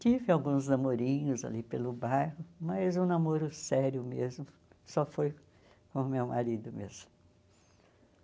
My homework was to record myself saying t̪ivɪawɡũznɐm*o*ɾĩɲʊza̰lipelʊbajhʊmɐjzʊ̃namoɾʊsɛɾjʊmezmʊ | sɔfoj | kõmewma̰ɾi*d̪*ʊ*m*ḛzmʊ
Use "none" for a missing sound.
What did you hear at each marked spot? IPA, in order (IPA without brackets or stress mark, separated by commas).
o, d̪, m